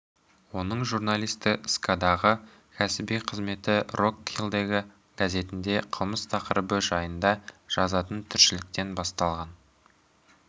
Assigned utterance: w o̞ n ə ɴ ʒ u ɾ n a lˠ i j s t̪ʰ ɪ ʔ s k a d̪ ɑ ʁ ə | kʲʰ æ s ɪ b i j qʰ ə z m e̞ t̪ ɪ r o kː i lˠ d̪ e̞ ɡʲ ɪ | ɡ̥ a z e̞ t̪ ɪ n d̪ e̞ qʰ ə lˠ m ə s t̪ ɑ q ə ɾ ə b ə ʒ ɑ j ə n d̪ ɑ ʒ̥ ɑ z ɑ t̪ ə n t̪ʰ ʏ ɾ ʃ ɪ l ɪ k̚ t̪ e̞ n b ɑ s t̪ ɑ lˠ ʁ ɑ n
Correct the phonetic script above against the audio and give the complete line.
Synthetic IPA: w o̞ n ə ɴ ʒ u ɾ n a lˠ i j s t̪ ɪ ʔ s k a d̪ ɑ ʁ ə | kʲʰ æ s ɪ b i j qʰ ə z m e̞ t̪ ɪ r o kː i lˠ d̪ e̞ ɡʲ ɪ | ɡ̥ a z e̞ t̪ ɪ n d̪ e̞ qʰ ə lˠ m ə s t̪ʰ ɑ q ə ɾ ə b ə ʒ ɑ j ə n d̪ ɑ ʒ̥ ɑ z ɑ t̪ ə n t̪ʰ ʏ ɾ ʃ ɪ l ɪ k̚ t̪ e̞ n b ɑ s t̪ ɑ lˠ ʁ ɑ n